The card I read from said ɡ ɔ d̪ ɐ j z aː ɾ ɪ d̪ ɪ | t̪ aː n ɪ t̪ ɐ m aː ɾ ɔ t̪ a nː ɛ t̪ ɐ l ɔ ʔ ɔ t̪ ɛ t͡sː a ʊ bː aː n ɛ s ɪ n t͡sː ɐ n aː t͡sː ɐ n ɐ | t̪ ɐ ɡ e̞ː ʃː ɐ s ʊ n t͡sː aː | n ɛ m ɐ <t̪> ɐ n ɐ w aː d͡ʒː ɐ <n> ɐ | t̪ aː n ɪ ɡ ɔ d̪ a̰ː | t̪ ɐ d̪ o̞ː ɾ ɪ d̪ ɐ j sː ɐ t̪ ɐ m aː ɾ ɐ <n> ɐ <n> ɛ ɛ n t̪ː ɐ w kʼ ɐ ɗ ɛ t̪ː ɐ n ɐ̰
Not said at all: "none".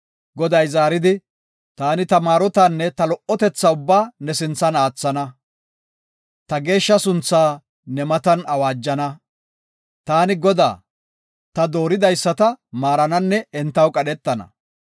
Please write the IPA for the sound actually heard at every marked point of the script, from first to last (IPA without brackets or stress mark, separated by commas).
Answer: t̪, n, n, nː